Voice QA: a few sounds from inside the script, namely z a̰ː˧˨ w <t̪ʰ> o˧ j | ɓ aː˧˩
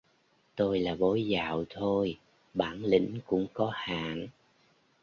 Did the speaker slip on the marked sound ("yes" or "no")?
no